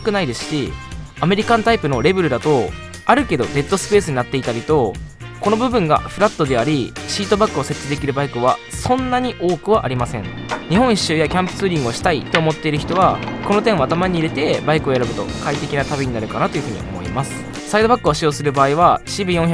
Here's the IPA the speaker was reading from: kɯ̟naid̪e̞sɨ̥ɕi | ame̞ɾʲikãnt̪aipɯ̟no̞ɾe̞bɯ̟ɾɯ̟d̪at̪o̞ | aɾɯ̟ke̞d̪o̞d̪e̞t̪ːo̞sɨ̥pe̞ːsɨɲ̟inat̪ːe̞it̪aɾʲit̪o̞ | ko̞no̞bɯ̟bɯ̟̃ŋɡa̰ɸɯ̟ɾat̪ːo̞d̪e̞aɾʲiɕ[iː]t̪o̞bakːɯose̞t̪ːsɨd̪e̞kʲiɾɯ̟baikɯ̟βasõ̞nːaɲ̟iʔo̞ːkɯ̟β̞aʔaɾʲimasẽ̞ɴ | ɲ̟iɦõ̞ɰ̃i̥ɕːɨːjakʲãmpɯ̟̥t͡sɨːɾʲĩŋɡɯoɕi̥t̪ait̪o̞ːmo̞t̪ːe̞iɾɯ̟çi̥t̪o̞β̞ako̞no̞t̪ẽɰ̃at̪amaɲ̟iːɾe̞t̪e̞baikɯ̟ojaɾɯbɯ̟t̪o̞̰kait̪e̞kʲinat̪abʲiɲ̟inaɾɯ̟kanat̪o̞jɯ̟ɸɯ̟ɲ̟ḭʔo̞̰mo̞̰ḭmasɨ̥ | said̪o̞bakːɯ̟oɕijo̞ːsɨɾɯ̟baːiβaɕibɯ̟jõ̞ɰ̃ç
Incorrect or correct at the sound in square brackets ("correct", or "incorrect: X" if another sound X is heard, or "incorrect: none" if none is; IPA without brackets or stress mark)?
correct